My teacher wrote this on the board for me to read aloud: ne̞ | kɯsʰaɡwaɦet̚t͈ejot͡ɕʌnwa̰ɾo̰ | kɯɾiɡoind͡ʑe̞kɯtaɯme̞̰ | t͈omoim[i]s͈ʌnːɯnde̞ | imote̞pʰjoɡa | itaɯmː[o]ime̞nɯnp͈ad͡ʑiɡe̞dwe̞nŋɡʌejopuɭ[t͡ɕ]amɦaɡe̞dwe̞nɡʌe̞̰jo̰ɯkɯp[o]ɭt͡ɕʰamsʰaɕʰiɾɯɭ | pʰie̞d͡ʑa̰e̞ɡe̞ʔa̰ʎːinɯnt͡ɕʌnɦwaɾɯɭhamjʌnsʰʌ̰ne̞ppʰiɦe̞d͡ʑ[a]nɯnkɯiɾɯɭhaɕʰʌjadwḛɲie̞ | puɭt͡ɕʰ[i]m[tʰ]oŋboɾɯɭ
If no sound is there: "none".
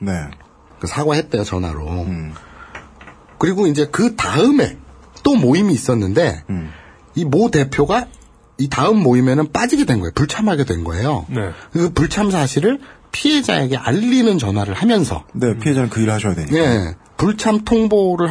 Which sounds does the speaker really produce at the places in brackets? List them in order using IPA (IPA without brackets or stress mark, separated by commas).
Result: iː, o, t͡ɕʰ, u, a, a, tʰ